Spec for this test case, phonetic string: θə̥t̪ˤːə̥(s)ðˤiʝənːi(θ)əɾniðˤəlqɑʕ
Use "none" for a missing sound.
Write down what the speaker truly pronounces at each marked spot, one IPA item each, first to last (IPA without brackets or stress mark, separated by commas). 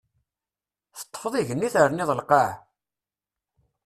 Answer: f, θ